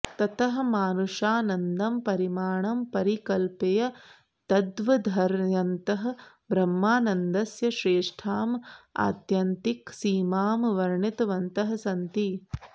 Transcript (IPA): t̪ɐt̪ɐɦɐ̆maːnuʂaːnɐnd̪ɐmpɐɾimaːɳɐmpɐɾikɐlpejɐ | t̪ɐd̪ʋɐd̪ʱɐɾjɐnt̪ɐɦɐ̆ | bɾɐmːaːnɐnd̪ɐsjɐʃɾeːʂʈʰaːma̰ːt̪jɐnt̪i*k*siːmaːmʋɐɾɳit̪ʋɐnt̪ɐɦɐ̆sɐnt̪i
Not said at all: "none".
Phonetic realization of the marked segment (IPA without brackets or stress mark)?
k